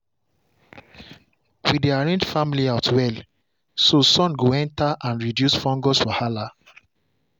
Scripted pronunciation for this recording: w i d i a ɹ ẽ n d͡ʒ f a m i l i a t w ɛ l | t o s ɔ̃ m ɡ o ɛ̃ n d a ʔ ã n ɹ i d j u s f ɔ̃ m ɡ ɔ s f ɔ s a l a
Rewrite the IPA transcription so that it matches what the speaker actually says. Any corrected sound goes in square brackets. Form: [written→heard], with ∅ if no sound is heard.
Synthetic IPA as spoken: w i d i a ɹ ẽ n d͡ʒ f a m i l i a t w ɛ l | [t→s] o s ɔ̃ [m→n] ɡ o ɛ̃ n [d→t] a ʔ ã n ɹ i d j u s f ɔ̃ [m→ŋ] ɡ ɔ s f ɔ [s→h] a l a